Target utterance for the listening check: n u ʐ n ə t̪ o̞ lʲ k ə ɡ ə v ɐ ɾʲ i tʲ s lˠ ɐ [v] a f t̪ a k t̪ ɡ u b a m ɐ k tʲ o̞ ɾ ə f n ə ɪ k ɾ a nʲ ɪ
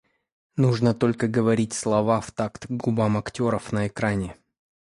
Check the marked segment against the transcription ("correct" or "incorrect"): correct